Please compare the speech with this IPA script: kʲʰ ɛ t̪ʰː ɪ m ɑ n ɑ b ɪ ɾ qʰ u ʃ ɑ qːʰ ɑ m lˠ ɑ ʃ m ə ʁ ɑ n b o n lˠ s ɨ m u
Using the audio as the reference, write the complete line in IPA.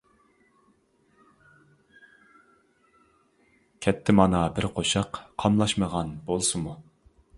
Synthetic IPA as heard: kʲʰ ɛ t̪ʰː ɪ m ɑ n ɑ b ɪ ɾ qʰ o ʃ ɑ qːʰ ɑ m lˠ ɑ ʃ m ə ʁ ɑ n b o lˠ s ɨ m u